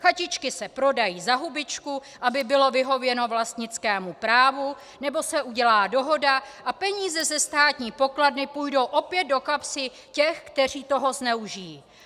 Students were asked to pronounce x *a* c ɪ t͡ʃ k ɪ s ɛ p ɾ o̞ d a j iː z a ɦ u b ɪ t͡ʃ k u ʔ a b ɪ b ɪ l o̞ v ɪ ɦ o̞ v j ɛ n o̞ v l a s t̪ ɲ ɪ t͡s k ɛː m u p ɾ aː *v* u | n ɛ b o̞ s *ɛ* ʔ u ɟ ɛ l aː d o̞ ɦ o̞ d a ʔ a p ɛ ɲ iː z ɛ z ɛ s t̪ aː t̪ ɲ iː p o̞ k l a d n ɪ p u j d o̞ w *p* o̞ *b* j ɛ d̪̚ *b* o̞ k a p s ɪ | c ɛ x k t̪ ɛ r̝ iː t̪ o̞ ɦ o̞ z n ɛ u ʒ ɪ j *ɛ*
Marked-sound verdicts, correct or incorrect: correct, correct, correct, incorrect: ʔ, incorrect: p, incorrect: d, incorrect: i

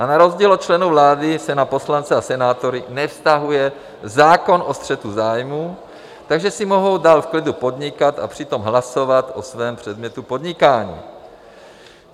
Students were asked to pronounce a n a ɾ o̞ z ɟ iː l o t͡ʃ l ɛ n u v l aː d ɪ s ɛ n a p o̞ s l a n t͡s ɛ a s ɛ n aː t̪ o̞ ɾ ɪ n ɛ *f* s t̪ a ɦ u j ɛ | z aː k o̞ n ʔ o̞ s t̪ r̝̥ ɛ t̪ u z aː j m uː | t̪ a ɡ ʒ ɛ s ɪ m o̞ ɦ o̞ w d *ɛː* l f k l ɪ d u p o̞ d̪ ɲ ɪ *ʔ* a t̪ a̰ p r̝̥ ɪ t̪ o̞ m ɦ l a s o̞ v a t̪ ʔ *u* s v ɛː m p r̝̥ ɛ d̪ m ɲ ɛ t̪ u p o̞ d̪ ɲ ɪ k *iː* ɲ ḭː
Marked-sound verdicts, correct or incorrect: correct, incorrect: aː, incorrect: k, incorrect: o, incorrect: aː

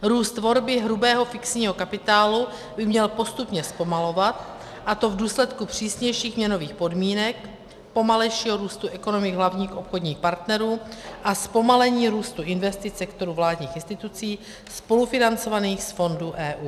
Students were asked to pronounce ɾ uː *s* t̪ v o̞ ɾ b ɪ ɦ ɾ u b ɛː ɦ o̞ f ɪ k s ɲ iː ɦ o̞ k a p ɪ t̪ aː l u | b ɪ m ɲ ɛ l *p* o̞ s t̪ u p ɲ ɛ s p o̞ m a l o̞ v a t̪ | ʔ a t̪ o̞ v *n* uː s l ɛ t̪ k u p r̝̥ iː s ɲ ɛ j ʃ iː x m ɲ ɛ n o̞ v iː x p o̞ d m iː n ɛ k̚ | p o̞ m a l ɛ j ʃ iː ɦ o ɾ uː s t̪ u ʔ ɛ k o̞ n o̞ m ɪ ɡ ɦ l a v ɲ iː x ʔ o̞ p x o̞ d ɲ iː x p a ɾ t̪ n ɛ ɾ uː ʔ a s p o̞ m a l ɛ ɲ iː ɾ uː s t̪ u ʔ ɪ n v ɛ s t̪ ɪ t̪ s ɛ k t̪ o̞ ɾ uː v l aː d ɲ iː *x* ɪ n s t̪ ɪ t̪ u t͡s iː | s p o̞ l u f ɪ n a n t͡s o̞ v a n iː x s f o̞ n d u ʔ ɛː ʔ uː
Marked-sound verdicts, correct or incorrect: correct, correct, incorrect: d, correct

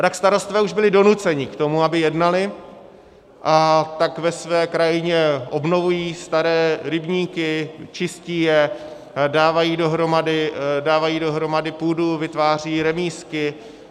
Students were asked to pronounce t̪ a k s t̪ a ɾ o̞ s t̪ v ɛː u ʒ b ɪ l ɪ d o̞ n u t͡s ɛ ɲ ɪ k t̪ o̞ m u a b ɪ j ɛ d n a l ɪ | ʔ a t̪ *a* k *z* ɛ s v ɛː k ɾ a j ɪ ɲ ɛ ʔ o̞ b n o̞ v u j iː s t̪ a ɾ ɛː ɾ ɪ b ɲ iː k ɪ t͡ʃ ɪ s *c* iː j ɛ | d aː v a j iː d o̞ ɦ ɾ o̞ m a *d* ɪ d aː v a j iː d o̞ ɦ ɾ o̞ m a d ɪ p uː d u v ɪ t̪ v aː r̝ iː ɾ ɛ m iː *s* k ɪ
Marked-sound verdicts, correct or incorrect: correct, incorrect: v, correct, correct, correct

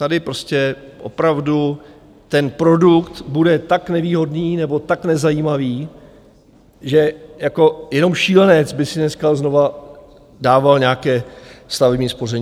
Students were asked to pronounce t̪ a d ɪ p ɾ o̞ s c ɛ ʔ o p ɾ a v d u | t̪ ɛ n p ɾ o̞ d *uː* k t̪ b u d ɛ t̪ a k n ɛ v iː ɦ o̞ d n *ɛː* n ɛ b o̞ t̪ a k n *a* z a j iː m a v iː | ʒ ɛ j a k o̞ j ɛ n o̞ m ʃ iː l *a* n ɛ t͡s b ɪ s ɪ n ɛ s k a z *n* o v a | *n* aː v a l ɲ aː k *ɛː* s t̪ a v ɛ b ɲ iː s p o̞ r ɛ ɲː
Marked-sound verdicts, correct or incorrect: incorrect: u, incorrect: iː, incorrect: ɛ, incorrect: ɛ, correct, incorrect: d, correct

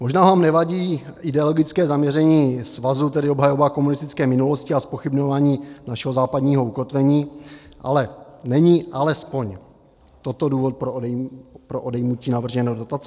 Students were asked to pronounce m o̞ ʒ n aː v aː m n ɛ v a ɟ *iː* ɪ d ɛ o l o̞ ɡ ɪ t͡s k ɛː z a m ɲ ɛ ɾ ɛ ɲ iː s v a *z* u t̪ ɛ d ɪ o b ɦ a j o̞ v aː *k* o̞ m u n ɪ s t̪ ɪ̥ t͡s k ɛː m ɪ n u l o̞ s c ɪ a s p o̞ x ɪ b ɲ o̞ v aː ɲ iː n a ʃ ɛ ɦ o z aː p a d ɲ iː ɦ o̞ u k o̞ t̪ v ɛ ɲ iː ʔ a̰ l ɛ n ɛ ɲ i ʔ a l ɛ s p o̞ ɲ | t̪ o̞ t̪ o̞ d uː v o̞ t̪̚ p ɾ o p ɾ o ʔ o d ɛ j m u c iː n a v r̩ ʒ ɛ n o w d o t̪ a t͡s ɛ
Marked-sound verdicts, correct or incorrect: correct, correct, correct

